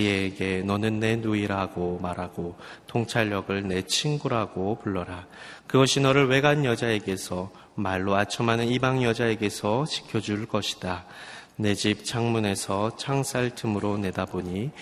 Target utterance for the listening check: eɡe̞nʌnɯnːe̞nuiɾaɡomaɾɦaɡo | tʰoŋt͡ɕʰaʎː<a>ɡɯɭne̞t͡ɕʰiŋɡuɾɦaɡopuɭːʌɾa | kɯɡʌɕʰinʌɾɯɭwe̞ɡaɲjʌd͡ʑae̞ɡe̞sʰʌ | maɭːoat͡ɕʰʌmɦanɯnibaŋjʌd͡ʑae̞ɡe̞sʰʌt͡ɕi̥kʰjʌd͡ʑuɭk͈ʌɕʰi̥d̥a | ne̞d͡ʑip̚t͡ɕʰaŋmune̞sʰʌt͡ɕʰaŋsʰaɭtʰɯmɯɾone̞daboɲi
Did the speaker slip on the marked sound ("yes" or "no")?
yes